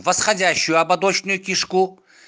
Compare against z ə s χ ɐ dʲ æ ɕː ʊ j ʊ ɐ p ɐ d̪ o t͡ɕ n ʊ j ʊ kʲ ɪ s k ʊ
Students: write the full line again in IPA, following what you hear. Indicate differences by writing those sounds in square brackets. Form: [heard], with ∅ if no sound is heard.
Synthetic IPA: [v] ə s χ ɐ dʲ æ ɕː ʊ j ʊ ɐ [b] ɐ d̪ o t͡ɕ n ʊ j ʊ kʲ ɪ [ʂ] k [u]